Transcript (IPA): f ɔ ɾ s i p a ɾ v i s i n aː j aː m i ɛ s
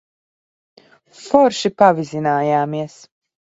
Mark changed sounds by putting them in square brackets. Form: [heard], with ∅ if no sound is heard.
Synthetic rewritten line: f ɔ ɾ [ʃ] i p a [∅] v i [z] i n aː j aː m i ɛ s